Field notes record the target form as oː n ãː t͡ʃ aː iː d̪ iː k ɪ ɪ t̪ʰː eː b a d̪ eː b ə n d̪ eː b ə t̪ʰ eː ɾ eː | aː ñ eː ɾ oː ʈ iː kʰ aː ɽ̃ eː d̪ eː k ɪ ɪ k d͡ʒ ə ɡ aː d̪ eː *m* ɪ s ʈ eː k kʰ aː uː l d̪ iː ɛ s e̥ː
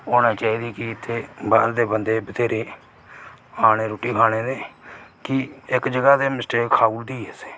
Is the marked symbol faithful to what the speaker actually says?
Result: yes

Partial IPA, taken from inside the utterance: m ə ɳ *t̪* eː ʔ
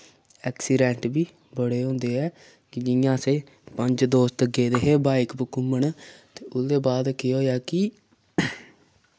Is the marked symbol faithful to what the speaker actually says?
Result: yes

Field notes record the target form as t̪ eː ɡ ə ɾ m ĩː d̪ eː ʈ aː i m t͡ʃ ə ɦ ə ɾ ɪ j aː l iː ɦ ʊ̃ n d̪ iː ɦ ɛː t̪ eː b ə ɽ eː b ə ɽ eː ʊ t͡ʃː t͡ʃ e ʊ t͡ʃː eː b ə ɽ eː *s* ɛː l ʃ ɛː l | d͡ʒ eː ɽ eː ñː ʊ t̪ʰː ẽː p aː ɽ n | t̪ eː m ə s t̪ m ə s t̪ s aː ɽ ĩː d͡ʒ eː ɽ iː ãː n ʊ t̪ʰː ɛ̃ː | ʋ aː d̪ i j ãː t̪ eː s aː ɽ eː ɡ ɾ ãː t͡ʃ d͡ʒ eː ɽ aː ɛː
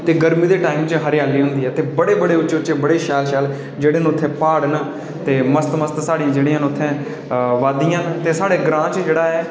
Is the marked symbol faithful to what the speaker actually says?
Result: no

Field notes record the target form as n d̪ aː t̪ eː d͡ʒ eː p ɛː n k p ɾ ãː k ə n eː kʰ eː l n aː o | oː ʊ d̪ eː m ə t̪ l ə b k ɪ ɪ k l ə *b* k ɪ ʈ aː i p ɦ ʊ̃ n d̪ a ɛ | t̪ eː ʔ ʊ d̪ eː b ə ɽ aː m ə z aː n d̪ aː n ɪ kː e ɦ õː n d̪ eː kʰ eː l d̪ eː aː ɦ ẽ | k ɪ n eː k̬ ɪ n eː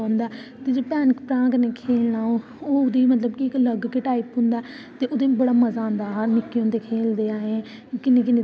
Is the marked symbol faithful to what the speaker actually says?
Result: no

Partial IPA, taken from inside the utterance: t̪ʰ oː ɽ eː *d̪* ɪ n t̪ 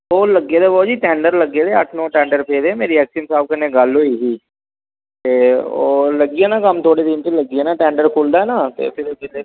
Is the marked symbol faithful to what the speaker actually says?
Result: yes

